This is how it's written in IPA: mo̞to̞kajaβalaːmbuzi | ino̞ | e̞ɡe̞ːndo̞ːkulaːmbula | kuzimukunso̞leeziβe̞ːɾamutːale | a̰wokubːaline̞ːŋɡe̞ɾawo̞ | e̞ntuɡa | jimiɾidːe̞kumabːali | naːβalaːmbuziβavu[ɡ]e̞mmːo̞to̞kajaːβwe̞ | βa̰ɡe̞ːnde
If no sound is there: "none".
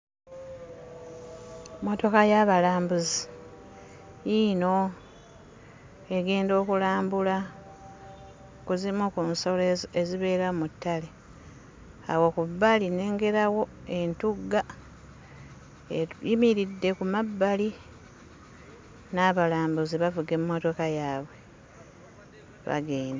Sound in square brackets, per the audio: ɡ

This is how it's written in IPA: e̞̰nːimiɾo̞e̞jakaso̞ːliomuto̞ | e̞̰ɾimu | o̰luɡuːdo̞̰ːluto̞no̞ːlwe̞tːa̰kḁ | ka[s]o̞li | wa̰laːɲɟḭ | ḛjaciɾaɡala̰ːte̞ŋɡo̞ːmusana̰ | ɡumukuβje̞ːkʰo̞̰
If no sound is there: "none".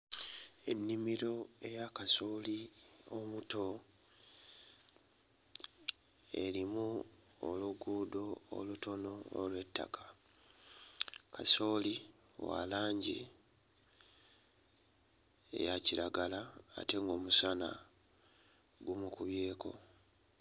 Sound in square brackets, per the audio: s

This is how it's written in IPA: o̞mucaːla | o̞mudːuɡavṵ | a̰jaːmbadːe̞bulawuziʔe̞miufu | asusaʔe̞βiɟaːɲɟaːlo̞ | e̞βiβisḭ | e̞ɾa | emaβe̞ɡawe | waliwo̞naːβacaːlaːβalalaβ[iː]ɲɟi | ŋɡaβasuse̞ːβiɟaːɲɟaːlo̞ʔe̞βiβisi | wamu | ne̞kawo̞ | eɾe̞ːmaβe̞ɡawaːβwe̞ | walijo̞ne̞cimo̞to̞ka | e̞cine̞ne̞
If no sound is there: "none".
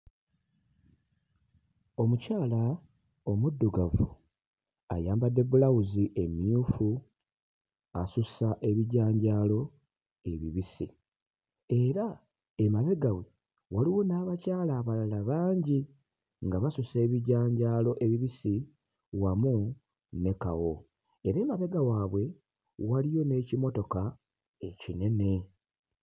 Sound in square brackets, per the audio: aː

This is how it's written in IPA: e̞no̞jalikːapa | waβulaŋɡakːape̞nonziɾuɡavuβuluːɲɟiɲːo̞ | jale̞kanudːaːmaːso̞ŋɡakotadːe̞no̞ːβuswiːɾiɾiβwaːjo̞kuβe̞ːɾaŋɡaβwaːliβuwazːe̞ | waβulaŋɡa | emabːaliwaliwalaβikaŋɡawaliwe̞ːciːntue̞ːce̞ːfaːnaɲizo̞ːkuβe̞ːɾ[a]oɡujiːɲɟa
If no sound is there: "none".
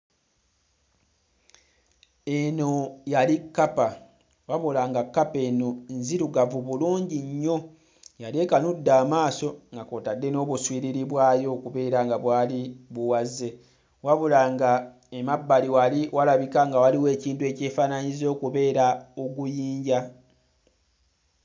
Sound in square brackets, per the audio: a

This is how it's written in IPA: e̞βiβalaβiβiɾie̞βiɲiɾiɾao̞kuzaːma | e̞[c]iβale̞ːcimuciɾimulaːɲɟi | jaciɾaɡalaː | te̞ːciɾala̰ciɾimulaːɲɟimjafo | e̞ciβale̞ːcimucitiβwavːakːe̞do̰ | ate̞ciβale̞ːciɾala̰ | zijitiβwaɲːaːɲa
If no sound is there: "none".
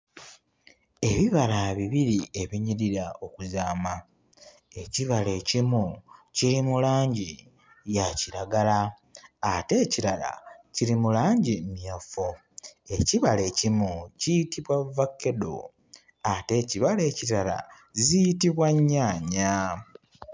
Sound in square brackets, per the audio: c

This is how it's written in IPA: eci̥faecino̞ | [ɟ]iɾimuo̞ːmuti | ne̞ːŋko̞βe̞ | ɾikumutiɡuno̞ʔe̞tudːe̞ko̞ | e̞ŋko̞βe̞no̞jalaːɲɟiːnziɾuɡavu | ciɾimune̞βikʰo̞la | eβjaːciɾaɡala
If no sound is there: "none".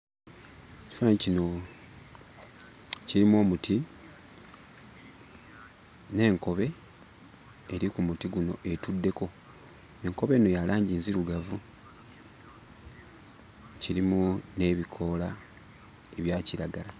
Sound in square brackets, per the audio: c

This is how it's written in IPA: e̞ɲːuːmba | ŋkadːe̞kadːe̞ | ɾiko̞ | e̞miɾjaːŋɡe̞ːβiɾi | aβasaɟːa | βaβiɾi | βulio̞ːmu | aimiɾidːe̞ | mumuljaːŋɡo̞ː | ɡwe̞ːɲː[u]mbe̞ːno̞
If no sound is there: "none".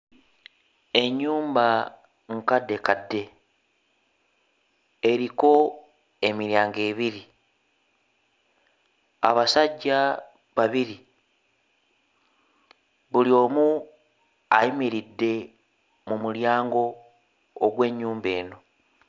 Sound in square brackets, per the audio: uː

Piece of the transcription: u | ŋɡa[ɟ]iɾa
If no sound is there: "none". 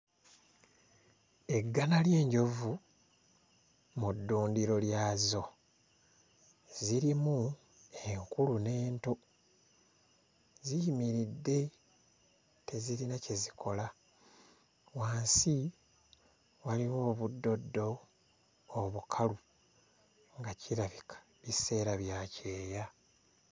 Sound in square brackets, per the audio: c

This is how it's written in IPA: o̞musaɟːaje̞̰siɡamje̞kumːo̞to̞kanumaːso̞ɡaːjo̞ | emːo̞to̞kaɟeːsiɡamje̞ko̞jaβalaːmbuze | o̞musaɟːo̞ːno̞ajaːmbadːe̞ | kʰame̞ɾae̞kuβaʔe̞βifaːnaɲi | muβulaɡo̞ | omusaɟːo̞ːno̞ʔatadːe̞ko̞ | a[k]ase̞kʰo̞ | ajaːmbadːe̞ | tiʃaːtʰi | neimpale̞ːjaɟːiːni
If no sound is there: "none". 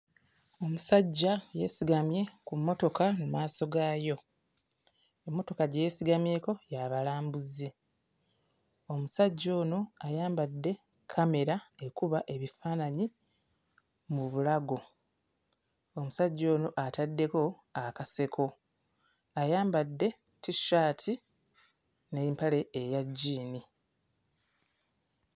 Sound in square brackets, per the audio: k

